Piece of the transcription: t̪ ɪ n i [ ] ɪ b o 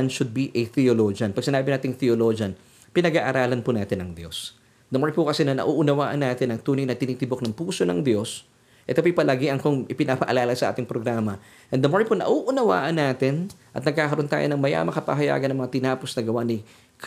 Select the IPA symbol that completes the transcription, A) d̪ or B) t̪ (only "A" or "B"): B